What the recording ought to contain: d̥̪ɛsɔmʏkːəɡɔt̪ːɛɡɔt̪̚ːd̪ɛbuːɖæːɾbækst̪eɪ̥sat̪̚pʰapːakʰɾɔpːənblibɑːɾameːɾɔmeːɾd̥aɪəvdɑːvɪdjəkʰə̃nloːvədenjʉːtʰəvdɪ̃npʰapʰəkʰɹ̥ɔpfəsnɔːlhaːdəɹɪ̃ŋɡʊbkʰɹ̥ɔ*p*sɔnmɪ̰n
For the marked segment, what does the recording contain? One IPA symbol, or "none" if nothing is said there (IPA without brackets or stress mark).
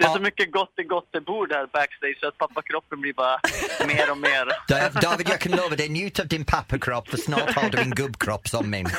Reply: p